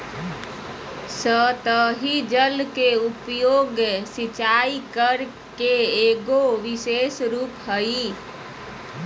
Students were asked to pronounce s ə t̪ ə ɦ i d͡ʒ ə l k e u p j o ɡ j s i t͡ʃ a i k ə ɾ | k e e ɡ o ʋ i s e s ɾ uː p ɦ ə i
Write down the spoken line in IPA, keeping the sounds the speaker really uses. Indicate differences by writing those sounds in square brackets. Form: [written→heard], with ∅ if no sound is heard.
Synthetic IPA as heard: s ə t̪ ə ɦ i d͡ʒ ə l k e u p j o ɡ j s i t͡ʃ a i k ə ɾ | k e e ɡ o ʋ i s e s ɾ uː p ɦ ə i